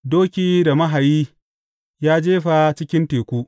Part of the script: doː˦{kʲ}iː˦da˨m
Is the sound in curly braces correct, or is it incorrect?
correct